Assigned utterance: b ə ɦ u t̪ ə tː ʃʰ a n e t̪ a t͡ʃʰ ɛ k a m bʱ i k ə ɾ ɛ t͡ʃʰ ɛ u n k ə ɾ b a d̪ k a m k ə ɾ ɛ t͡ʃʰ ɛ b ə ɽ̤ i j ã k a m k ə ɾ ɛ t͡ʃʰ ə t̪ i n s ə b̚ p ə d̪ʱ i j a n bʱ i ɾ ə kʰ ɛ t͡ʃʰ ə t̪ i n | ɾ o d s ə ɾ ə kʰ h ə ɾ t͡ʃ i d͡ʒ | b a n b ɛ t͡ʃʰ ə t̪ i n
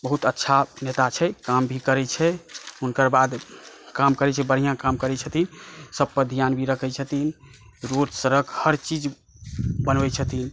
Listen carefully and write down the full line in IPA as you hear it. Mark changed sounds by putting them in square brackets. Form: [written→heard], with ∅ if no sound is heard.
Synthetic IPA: b ə ɦ u t̪ ə tː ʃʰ a n e t̪ a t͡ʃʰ ɛ k a m bʱ i k ə ɾ ɛ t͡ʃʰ ɛ u n k ə ɾ b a d̪ k a m k ə ɾ ɛ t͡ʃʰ ɛ b ə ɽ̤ i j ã k a m k ə ɾ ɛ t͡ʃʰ ə t̪ i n s ə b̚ p ə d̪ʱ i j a n bʱ i ɾ ə kʰ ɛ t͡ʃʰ ə t̪ i n | ɾ o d s ə ɾ ə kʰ h ə ɾ t͡ʃ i d͡ʒ | b [a→ə] n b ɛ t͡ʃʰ ə t̪ i n